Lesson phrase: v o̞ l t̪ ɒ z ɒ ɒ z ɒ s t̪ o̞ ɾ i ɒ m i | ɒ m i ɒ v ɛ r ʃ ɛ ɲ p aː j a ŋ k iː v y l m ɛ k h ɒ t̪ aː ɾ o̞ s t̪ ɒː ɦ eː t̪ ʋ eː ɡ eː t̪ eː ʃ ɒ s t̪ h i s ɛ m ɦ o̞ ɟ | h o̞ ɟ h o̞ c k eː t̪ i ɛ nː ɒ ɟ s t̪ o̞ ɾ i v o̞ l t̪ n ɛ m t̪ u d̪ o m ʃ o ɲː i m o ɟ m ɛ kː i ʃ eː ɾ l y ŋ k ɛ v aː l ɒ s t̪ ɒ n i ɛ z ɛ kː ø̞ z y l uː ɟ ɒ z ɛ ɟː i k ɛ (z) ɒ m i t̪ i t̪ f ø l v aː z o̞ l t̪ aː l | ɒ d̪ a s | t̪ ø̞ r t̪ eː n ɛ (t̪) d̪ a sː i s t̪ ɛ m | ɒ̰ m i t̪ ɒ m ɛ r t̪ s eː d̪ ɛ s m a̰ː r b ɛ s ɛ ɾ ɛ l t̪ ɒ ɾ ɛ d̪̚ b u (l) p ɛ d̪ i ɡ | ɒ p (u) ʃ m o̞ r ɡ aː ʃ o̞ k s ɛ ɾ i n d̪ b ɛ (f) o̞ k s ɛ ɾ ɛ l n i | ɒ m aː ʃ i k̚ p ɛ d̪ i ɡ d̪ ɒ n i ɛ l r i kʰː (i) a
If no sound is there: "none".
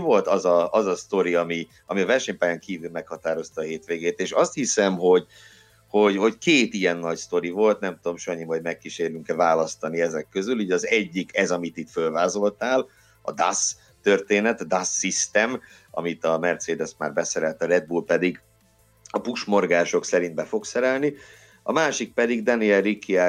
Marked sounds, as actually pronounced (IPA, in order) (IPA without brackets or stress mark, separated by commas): z, t̪, l, u, f, i